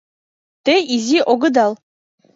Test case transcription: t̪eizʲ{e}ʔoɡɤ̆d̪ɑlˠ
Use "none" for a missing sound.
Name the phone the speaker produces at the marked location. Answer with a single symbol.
i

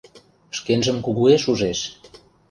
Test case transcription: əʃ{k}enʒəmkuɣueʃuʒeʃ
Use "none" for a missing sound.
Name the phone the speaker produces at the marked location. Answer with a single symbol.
k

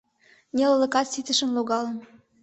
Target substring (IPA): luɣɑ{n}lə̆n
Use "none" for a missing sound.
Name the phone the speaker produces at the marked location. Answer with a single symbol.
none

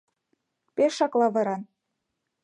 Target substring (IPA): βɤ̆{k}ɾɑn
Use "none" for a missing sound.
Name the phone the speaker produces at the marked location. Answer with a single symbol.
none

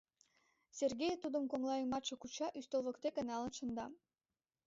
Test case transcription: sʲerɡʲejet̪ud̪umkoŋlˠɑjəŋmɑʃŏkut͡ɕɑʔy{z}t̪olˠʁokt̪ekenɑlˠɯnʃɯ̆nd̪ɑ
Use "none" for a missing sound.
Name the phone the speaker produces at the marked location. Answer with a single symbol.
s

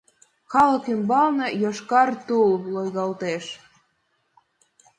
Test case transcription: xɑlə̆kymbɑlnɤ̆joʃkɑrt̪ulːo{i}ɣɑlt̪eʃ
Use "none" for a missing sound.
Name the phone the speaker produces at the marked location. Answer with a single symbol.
j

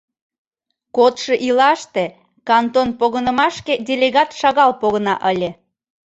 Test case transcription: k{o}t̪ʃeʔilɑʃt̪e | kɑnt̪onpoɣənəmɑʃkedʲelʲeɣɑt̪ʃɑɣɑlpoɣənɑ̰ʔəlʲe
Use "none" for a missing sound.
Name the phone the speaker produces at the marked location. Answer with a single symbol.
o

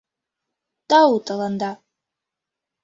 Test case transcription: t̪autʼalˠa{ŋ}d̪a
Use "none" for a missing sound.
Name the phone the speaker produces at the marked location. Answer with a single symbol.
n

